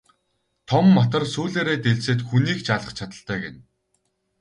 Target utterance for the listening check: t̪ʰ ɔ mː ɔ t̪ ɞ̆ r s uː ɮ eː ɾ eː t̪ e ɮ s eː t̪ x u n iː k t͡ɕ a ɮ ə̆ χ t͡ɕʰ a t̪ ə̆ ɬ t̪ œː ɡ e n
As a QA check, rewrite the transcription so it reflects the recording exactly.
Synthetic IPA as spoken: t̪ʰ ɔ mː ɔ t̪ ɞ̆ r s uː ɮ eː ɾ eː t̪ e ɮ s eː t̪ x u n iː k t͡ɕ a ɮ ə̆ χ t͡ɕʰ a t̪ ə̆ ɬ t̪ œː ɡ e n